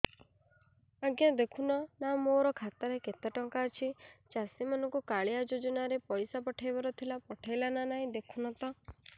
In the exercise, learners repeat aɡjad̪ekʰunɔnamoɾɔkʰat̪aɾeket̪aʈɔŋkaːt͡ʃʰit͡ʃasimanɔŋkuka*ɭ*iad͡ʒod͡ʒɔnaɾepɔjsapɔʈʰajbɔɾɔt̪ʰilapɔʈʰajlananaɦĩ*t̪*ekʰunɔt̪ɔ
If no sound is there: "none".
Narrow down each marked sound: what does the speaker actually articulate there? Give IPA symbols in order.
ɭ, d̪

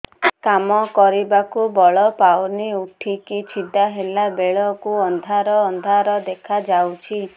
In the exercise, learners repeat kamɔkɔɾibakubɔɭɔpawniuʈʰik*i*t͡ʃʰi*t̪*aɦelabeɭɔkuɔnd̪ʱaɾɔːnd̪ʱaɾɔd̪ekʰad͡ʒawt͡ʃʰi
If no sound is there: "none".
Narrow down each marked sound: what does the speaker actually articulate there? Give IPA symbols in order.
i, d̪

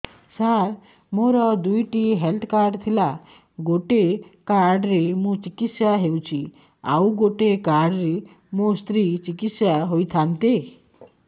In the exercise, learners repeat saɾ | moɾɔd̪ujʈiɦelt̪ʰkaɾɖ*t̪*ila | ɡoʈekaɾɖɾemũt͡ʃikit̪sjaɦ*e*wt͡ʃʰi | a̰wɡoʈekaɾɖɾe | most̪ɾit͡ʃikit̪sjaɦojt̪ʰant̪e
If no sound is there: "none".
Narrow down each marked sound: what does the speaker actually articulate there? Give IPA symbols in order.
t̪ʰ, e

